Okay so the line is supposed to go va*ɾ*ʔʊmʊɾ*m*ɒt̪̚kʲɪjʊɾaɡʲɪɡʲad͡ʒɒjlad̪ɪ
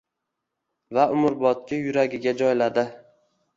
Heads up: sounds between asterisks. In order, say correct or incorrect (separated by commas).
incorrect, incorrect